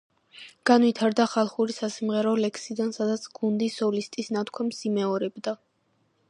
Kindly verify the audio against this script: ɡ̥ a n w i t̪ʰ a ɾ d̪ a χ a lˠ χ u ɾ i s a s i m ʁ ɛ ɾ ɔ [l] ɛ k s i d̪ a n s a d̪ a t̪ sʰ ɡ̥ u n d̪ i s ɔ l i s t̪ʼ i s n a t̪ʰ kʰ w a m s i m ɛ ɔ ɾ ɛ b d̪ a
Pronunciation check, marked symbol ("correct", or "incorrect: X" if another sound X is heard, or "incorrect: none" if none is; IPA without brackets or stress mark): correct